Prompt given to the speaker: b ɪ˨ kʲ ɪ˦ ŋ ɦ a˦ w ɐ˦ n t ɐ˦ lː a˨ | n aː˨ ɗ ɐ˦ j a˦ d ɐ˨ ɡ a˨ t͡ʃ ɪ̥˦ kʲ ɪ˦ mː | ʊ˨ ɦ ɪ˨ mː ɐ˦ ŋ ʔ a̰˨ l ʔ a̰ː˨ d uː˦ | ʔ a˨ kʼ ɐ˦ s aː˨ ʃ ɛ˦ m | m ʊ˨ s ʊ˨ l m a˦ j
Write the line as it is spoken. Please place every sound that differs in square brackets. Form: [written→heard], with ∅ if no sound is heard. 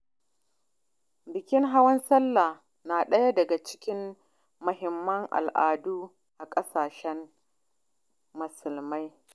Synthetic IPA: b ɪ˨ kʲ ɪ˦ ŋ ɦ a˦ w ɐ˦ n [t→s] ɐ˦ lː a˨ | n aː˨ ɗ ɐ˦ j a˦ d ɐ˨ ɡ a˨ t͡ʃ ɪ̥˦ kʲ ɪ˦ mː | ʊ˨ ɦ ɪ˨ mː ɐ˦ ŋ ʔ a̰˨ l ʔ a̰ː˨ d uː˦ | ʔ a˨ kʼ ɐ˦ s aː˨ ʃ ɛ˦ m | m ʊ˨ s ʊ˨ l m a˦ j